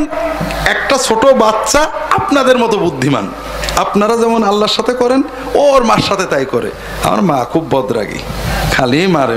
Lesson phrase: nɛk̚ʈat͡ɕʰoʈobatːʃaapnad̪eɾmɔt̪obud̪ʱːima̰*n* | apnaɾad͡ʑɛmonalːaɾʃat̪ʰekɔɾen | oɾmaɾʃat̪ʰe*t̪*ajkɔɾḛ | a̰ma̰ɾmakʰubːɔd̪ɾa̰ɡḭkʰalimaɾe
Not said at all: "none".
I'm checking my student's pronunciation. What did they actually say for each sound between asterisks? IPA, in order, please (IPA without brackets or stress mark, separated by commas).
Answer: n, t̪